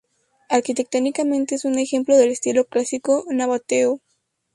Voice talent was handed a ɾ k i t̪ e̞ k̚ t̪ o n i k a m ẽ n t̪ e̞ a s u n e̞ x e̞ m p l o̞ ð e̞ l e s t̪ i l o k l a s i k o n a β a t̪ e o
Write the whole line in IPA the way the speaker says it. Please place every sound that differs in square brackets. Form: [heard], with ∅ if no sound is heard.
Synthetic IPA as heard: a ɾ k i t̪ e̞ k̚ t̪ o n i k a m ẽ n t̪ e̞ [e] s u n e̞ x e̞ m p l o̞ ð e̞ l e s t̪ i l o k l a s i k o n a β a t̪ e o